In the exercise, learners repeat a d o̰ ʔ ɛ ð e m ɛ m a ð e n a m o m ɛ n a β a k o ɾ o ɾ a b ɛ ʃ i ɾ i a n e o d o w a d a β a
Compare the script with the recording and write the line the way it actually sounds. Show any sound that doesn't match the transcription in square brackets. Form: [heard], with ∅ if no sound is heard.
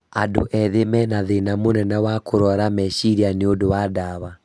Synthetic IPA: a d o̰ ʔ ɛ ð e m ɛ [n] a ð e n a m o [n] ɛ n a [w] a k o ɾ [ɔ] ɾ a [m] ɛ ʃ i ɾ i a n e o d o w a d a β a